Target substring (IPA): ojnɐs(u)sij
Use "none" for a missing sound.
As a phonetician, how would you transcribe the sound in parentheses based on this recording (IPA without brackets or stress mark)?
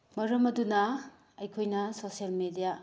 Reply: o